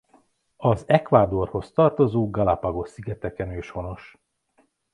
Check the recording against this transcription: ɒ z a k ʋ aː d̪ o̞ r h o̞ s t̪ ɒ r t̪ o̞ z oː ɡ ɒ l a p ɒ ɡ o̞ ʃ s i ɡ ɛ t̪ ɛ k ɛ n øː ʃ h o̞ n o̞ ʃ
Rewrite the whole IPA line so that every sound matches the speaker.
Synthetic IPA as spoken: ɒ z ɛ k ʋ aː d̪ o̞ r h o̞ s t̪ ɒ r t̪ o̞ z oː ɡ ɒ l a p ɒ ɡ o̞ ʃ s i ɡ ɛ t̪ ɛ k ɛ n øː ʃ h o̞ n o̞ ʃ